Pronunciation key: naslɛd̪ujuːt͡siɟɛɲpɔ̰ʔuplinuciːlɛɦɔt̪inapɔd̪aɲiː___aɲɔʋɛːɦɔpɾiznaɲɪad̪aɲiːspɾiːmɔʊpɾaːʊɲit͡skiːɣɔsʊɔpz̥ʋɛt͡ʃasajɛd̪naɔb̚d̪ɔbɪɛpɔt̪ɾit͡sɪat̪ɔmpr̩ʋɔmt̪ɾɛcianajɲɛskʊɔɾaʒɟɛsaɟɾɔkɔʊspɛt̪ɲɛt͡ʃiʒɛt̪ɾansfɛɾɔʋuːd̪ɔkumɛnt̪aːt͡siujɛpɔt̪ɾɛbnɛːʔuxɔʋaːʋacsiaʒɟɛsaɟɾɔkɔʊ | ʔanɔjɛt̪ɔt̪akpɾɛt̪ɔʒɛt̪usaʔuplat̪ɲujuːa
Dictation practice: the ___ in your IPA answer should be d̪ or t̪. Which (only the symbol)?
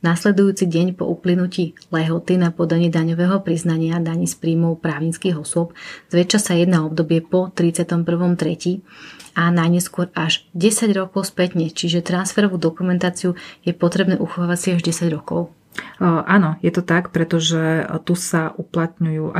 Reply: d̪